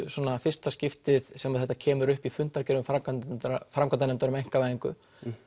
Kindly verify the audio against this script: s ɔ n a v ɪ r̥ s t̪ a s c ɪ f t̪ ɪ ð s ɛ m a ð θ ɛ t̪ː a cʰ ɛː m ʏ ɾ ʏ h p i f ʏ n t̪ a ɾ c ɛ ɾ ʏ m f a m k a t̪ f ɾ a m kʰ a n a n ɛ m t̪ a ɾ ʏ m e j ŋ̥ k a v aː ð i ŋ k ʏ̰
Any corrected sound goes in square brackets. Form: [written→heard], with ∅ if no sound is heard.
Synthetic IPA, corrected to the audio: s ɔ n a [v→f] ɪ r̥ s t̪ a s c ɪ f t̪ ɪ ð s ɛ m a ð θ ɛ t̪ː a cʰ ɛː m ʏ ɾ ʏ h p i f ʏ n t̪ a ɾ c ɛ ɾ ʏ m f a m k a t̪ f ɾ a m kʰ a n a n ɛ m t̪ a ɾ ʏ m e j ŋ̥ k a v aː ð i ŋ k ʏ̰